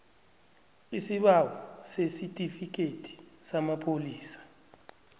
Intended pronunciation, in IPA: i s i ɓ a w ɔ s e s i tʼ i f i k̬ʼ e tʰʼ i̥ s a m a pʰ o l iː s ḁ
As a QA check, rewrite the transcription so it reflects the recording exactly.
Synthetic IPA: i s i ɓ a w ɔ s e s i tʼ i f i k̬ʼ e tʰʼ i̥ s a m a pʰ o l iː s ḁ